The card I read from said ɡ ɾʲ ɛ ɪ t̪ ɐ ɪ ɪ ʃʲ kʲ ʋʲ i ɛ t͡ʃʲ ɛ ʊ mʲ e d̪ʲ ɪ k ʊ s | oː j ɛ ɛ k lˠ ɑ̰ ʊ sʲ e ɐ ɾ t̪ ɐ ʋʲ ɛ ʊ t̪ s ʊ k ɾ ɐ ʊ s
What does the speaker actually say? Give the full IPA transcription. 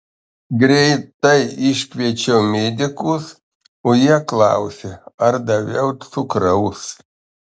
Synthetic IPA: ɡ ɾʲ ɛ ɪ t̪ ɐ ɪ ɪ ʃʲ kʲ ʋʲ i ɛ t͡ʃʲ ɛ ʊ mʲ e d̪ʲ ɪ k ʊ s | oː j i ɛ k lˠ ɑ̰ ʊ sʲ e ɐ ɾ d̪ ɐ ʋʲ ɛ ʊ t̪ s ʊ k ɾ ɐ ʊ s